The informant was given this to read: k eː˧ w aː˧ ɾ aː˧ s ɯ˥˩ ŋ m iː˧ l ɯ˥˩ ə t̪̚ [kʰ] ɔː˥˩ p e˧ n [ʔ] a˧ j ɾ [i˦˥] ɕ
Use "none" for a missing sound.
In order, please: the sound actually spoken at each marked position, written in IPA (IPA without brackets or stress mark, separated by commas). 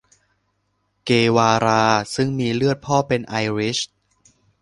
pʰ, ʔ, i˦˥